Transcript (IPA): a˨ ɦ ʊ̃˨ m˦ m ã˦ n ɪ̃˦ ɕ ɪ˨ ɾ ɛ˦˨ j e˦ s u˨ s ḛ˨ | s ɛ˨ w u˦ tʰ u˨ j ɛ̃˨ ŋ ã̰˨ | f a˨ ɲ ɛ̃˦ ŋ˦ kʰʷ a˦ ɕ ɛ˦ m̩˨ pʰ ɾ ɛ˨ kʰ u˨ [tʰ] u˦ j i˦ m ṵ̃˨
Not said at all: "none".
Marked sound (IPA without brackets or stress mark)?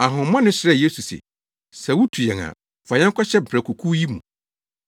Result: kʰ